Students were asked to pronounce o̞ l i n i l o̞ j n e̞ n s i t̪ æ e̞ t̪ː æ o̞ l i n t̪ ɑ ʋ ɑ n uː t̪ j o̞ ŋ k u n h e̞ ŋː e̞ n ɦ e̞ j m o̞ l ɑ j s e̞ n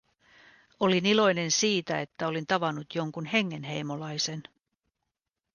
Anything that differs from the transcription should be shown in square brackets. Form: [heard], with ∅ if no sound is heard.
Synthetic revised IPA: o̞ l i n i l o̞ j n e̞ n s [iː] t̪ æ e̞ t̪ː æ o̞ l i n t̪ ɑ ʋ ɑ n [u] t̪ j o̞ ŋ k u n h e̞ ŋː e̞ n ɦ e̞ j m o̞ l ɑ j s e̞ n